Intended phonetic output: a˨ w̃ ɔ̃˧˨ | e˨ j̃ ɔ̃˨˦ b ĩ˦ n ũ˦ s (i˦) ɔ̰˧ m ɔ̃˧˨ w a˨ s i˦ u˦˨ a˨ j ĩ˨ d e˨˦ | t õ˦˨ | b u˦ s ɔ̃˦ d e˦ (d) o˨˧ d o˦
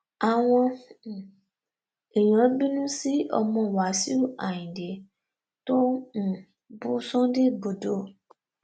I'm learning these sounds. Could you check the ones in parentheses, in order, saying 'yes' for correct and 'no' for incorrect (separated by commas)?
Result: yes, no